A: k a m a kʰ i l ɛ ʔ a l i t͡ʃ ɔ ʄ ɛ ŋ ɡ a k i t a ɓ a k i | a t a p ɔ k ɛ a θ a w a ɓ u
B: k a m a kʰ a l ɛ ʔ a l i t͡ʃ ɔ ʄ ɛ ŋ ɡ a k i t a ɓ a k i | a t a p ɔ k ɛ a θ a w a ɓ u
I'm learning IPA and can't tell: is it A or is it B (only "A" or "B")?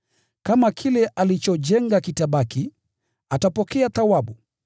A